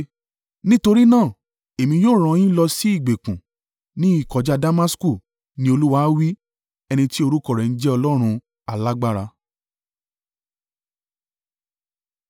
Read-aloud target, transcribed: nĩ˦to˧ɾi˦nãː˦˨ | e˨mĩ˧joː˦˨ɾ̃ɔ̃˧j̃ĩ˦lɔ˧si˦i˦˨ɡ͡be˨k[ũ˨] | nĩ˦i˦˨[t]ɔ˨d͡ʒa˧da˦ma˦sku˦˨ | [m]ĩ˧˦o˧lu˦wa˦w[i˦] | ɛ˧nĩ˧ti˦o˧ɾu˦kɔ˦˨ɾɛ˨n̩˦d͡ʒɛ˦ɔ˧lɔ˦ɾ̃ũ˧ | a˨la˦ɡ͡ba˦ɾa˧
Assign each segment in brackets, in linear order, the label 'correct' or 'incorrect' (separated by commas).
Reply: correct, incorrect, incorrect, correct